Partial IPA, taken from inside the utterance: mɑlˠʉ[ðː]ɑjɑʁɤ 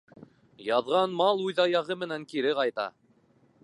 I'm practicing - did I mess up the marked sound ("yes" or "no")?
yes